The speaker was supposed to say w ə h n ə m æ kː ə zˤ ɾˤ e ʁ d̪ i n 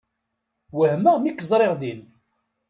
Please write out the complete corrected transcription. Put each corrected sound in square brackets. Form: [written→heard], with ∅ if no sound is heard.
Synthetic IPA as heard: w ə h [n→m] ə m [æ→i] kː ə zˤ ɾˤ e ʁ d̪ i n